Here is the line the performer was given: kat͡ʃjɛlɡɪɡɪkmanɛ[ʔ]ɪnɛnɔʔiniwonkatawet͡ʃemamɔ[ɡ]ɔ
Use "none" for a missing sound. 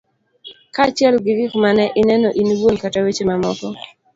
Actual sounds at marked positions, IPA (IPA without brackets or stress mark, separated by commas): ʔ, k